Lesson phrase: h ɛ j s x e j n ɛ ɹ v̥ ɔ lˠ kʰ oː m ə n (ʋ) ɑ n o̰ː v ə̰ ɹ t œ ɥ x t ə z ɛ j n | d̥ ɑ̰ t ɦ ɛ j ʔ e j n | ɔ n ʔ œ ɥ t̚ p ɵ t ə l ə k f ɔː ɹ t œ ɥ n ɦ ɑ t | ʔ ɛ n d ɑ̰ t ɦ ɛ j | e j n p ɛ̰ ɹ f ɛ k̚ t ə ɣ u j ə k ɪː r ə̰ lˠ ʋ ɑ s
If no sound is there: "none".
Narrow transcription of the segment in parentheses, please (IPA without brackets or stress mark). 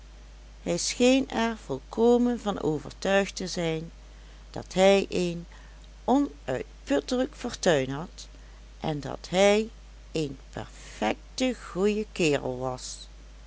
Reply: v